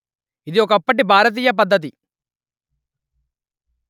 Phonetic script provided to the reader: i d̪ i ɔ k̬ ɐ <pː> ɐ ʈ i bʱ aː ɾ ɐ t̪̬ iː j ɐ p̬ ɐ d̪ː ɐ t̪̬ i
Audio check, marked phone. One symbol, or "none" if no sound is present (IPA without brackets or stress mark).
pː